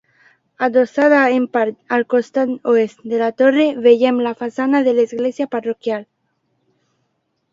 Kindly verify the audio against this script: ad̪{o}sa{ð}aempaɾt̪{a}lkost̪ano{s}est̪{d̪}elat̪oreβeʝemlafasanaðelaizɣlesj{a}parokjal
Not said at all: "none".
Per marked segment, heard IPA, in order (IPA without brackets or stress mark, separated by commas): o, ð, a, none, d̪, a